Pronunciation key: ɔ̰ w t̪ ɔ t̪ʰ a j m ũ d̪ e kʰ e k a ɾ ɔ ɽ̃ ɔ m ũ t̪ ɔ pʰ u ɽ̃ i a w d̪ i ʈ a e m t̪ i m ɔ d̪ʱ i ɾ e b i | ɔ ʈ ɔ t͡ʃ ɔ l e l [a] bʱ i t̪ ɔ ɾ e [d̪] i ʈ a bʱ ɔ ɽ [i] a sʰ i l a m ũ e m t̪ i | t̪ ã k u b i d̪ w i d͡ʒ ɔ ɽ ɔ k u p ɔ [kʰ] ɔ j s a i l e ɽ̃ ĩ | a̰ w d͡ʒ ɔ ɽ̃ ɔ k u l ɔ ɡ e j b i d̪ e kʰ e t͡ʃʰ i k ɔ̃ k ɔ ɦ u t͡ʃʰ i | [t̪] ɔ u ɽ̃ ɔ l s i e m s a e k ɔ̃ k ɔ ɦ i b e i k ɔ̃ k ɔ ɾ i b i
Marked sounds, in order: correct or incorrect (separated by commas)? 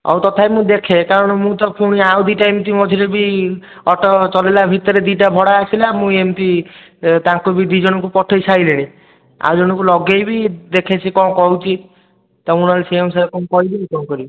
correct, correct, incorrect, incorrect, correct